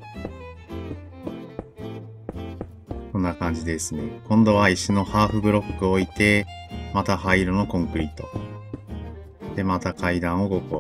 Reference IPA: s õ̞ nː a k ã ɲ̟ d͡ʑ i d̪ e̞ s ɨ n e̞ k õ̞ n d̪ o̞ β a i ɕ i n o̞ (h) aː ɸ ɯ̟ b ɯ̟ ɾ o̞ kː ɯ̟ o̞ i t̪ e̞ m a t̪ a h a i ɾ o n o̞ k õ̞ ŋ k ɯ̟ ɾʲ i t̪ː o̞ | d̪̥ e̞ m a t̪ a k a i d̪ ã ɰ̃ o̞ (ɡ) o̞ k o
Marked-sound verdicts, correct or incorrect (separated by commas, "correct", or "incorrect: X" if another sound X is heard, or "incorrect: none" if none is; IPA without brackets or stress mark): correct, correct